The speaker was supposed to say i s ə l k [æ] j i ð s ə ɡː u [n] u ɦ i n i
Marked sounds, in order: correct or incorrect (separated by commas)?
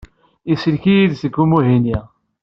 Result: incorrect, incorrect